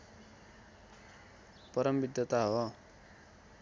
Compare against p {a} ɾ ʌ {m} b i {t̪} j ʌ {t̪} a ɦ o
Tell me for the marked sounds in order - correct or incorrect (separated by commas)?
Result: incorrect, correct, incorrect, correct